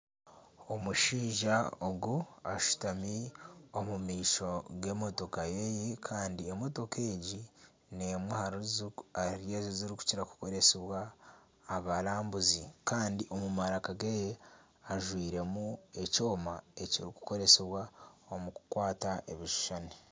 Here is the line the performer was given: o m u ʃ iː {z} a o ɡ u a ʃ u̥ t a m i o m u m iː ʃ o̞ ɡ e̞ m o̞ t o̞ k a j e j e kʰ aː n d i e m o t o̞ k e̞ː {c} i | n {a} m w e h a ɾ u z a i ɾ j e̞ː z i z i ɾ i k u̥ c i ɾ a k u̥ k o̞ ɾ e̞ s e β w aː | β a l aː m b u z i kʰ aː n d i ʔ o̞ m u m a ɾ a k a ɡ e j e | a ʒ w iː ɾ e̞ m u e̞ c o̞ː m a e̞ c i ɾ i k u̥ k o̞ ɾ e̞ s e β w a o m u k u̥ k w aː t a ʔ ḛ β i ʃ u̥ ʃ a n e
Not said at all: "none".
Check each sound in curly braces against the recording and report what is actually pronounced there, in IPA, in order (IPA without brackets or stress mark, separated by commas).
ʒ, ɟ, e